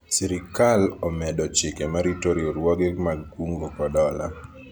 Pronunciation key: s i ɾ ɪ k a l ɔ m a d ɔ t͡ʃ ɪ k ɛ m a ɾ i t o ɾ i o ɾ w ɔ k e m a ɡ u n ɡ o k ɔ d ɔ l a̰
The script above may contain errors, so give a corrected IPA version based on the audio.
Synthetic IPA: s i ɾ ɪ k a l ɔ m ɛ d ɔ t͡ʃ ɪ k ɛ m a ɾ i t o ɾ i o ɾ w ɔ ɡ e m a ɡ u ŋ ɡ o k ɔ d ɔ l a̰